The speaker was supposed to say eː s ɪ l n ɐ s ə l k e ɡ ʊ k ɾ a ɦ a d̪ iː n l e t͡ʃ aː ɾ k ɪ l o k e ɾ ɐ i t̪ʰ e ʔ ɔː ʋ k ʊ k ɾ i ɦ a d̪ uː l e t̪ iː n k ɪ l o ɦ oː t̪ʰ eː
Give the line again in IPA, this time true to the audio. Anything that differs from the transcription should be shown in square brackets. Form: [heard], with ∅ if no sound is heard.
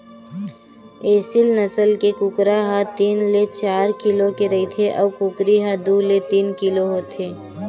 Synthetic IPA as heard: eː s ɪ l n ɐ s ə l k e [k] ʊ k ɾ a ɦ a [t̪] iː n l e t͡ʃ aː ɾ k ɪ l o k e ɾ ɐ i t̪ʰ e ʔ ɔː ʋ k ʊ k ɾ i ɦ a d̪ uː l e t̪ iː n k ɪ l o ɦ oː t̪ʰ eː